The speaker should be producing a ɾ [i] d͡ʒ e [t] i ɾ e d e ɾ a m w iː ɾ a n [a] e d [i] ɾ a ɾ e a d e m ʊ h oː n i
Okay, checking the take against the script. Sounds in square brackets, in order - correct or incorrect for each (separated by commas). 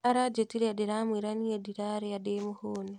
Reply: incorrect, correct, incorrect, correct